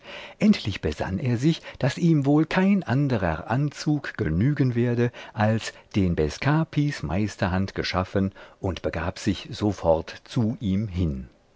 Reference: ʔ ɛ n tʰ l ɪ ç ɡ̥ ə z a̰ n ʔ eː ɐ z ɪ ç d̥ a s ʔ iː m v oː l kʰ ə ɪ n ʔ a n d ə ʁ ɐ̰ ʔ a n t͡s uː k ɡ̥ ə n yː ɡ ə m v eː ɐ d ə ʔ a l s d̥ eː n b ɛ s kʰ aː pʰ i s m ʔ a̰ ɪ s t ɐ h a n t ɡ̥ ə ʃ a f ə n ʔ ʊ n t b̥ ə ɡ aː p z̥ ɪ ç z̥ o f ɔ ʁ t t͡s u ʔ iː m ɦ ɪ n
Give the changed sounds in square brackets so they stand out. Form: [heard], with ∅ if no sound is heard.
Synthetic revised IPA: ʔ ɛ n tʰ l ɪ ç [b̥] ə z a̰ n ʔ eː ɐ z ɪ ç d̥ a s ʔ iː m v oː l kʰ [a] ɪ n ʔ a n d ə ʁ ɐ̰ ʔ a n t͡s uː k ɡ̥ ə n yː ɡ ə [n] v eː ɐ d ə ʔ a l s d̥ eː n b ɛ s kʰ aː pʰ i s m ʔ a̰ ɪ s t ɐ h a n t ɡ̥ ə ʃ a f ə n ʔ ʊ n t b̥ ə ɡ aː p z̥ ɪ ç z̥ o f ɔ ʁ t t͡s u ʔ iː m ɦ ɪ n